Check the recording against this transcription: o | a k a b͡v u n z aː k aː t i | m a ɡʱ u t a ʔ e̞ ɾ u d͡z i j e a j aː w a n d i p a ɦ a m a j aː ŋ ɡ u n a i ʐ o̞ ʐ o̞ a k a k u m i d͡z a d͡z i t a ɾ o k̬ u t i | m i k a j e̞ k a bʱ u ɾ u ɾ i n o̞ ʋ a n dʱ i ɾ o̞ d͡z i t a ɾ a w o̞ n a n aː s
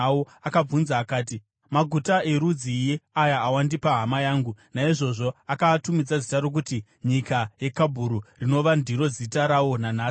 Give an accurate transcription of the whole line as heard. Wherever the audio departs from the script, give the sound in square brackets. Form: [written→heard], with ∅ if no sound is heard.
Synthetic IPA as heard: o | a k a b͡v u n z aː k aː t i | m a ɡʱ u t a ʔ e̞ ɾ u d͡z i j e a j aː w a n d i p a ɦ a m a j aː ŋ ɡ u n a i ʐ o̞ ʐ o̞ a k a [k→t] u m i d͡z a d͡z i t a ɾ o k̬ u t i | [m→ɲ] i k a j e̞ k a bʱ u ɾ u [ɾ→r] i n o̞ ʋ a n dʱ i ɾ o̞ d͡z i t a ɾ a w o̞ n a n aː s